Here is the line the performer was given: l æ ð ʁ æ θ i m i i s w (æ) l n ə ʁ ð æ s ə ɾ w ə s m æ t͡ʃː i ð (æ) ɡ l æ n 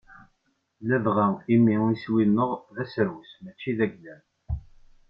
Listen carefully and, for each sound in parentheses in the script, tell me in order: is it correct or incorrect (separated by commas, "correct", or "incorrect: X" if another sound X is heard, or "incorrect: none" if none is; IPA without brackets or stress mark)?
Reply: incorrect: i, correct